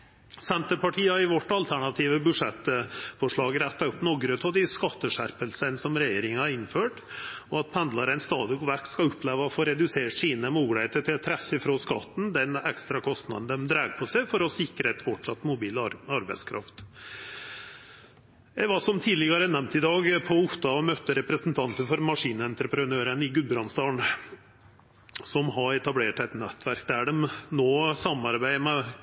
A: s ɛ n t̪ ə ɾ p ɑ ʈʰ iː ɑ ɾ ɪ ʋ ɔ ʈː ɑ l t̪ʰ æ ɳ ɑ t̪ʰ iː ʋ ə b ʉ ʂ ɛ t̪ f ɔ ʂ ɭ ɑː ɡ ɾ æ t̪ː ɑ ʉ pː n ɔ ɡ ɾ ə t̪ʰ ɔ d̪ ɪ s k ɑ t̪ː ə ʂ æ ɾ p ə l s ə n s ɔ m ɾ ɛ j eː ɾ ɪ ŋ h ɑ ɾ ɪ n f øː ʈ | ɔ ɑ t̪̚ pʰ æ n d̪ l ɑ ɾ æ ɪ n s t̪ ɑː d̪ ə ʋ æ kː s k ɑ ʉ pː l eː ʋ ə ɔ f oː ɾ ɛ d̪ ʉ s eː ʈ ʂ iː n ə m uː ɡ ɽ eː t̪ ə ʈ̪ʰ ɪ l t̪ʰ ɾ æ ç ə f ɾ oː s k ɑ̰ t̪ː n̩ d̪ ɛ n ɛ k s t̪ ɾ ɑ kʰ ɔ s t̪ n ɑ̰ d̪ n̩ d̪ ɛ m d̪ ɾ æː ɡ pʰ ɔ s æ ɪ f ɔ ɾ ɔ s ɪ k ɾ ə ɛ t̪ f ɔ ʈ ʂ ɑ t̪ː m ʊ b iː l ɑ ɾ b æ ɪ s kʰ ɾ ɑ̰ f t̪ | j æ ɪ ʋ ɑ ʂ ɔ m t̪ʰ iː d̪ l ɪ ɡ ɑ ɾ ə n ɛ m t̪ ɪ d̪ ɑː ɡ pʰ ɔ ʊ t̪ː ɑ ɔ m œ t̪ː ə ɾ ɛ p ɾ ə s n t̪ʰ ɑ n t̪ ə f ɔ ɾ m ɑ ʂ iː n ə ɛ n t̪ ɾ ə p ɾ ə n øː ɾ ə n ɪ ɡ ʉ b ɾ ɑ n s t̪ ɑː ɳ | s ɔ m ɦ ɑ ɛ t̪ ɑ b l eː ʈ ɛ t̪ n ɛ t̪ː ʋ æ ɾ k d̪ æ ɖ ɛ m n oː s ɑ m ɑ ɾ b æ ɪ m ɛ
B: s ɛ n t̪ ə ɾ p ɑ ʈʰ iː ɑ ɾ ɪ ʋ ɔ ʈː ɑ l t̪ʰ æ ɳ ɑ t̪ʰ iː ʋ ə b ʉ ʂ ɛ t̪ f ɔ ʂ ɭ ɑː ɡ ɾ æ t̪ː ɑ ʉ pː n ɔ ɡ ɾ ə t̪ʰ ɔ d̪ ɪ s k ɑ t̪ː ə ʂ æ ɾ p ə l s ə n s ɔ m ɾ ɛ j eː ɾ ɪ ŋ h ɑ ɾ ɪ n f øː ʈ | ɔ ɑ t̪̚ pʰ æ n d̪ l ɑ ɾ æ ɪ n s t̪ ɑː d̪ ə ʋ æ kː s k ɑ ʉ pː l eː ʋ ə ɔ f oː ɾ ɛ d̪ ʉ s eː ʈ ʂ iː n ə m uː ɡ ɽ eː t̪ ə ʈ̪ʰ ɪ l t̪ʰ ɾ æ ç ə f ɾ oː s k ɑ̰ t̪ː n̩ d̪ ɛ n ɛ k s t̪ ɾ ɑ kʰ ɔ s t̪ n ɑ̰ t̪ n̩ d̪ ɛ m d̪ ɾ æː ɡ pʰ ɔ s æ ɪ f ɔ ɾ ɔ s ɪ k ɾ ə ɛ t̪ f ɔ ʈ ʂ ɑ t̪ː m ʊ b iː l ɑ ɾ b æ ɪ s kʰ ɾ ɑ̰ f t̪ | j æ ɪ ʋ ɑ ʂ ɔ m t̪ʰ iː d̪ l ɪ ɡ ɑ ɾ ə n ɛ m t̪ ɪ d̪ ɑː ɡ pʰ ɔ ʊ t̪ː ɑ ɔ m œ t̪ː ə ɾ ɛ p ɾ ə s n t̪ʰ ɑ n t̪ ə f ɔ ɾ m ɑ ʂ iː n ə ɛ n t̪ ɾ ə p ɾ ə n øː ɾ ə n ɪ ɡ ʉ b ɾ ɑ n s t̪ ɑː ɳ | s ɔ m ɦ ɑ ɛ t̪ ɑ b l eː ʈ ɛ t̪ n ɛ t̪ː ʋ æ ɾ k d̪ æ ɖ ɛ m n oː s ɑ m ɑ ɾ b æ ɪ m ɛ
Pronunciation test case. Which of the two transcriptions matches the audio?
A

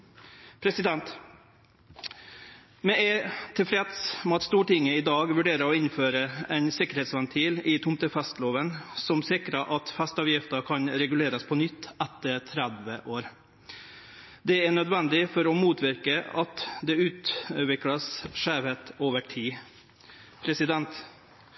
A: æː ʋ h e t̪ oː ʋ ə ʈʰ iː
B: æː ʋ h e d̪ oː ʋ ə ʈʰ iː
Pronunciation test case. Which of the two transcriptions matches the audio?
A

